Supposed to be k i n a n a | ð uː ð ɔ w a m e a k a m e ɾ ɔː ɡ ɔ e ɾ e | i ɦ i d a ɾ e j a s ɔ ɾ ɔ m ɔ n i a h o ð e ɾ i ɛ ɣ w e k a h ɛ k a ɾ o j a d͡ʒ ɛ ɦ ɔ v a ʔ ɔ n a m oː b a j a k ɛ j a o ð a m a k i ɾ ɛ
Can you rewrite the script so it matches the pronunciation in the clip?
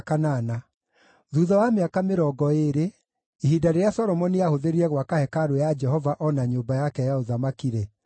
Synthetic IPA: k a n a n a | ð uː ð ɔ w a m e a k a m e ɾ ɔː ɡ ɔ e ɾ e | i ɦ i d a ɾ e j a s ɔ ɾ ɔ m ɔ n i a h o ð e ɾ i ɛ ɣ w a k a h ɛ k a ɾ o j a d͡ʒ ɛ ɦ ɔ v a ʔ ɔ n a ɲ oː b a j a k ɛ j a o ð a m a k i ɾ ɛ